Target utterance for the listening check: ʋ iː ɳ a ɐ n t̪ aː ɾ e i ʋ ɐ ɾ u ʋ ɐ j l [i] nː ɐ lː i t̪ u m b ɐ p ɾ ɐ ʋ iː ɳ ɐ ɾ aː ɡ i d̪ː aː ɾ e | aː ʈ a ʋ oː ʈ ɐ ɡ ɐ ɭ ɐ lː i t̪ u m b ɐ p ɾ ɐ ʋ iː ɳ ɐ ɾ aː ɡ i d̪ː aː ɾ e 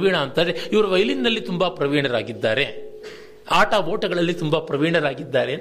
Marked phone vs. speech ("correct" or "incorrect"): correct